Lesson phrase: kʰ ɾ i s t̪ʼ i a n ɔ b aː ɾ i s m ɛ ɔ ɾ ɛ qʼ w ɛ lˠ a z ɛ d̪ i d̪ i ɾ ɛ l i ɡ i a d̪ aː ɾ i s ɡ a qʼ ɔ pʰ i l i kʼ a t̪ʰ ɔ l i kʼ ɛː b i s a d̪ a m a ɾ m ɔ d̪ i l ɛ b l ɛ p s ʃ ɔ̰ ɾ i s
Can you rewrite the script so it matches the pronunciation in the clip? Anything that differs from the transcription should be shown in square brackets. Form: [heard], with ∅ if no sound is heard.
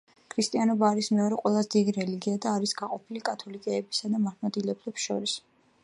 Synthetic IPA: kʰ ɾ i s t̪ʼ i a n ɔ b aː ɾ i s m ɛ ɔ ɾ ɛ qʼ w ɛ lˠ a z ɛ d̪ i d̪ i ɾ ɛ l i ɡ i a d̪ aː ɾ i s ɡ a qʼ ɔ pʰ i l i kʼ a t̪ʰ ɔ l i kʼ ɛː b i s a d̪ a m a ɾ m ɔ d̪ i l ɛ b l ɛ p s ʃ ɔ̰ ɾ i s